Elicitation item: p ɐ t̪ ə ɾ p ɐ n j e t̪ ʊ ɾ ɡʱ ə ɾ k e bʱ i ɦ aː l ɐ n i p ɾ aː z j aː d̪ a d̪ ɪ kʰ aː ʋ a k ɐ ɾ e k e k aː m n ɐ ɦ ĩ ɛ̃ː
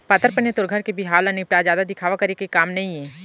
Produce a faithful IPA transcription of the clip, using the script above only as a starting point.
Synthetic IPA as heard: p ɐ t̪ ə ɾ p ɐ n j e t̪ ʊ ɾ ɡʱ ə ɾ k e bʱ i ɦ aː l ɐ n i p ɾ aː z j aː d̪ a d̪ ɪ kʰ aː ʋ a k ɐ ɾ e k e k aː m n ɐ ɦ ĩ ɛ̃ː

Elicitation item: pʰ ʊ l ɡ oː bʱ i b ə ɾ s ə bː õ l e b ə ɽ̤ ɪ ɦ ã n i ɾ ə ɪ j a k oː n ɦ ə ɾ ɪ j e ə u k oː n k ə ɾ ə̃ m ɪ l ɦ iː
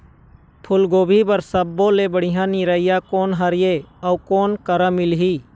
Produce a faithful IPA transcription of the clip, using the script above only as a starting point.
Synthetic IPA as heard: pʰ ʊ l ɡ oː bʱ i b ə ɾ s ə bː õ l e b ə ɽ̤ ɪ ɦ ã n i ɾ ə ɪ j a k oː n ɦ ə ɾ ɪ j e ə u k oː n k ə ɾ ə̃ m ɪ l ɦ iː

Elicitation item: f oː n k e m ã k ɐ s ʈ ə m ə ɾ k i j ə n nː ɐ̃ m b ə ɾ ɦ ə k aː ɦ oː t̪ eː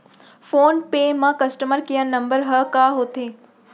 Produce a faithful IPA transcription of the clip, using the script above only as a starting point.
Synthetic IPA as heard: f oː n p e m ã k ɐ s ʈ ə m ə ɾ k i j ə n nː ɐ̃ m b ə ɾ ɦ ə k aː ɦ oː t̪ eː

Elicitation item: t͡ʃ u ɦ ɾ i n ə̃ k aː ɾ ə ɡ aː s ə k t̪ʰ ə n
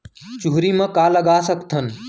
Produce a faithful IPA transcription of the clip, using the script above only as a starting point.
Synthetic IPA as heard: t͡ʃ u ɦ ɾ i m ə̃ k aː l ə ɡ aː s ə k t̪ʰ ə n

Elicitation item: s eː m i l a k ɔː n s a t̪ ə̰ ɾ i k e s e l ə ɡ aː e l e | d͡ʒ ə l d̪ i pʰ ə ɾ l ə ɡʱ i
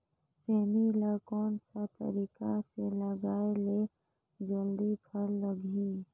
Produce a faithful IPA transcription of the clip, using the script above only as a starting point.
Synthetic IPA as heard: s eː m i l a k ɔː n s a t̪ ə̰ ɾ i k a s e l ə ɡ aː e l e | d͡ʒ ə l d̪ i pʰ ə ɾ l ə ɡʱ i

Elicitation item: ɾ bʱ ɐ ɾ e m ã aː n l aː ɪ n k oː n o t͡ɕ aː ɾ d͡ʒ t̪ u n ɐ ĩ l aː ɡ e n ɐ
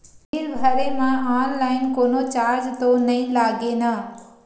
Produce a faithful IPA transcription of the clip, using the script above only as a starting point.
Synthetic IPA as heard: ɾ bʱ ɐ ɾ e m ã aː n l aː ɪ n k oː n o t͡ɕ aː ɾ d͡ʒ t̪ o n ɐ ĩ l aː ɡ e n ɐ

